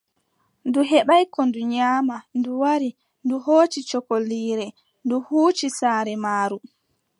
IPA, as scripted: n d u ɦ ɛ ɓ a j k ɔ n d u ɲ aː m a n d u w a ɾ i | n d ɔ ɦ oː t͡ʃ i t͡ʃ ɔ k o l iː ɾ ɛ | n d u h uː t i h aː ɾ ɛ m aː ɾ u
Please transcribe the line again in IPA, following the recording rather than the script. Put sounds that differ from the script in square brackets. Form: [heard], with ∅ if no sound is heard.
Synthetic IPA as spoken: n d u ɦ ɛ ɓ a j k ɔ n d u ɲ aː m a n d u w a ɾ i | n d [u] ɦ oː t͡ʃ i t͡ʃ ɔ k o l iː ɾ ɛ | n d u h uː [t͡ʃ] i [s] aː ɾ ɛ m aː ɾ u